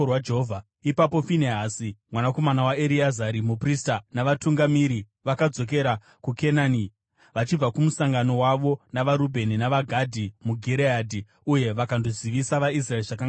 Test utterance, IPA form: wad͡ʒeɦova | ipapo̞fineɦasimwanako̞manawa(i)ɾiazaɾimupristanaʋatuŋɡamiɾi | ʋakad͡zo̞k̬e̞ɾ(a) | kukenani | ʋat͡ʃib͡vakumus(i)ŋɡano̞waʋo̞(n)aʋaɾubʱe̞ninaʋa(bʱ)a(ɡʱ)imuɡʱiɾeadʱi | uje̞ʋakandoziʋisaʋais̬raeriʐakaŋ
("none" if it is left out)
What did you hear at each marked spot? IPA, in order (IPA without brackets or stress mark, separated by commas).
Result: e, a, a, n, ɡʱ, dʱ